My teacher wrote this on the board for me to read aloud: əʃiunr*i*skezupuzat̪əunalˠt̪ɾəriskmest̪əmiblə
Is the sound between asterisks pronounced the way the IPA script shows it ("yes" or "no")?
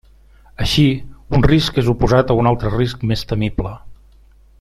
yes